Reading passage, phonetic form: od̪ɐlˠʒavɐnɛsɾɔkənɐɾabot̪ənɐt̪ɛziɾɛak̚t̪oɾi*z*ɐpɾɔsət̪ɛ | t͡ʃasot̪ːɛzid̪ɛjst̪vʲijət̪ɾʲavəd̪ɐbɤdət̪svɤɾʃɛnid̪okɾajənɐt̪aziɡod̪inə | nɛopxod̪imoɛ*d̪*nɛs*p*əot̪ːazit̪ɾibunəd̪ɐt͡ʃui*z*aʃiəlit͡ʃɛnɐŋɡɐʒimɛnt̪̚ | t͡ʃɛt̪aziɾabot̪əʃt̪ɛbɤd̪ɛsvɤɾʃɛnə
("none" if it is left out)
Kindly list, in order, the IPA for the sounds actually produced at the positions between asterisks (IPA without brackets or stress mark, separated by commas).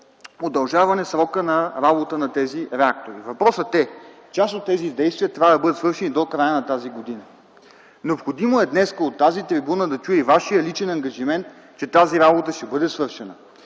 v, d̪, k, v